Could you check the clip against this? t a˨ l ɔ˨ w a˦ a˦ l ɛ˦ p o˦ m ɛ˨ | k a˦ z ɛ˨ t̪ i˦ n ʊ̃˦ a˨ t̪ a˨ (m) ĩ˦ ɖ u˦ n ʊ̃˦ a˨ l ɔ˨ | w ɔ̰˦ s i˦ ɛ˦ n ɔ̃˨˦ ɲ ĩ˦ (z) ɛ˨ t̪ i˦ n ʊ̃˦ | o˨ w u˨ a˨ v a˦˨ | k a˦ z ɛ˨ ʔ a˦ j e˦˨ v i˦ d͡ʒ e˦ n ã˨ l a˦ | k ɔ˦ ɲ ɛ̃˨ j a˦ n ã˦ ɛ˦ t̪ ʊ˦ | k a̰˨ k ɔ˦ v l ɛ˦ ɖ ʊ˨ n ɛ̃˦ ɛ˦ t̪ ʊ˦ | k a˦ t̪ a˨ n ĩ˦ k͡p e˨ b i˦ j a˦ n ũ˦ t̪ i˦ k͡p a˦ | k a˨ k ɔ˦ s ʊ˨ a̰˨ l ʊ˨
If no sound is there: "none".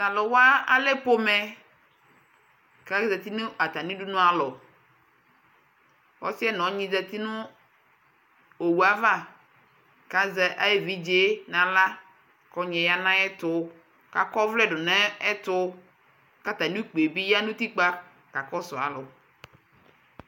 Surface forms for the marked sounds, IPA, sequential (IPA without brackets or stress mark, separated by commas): n, z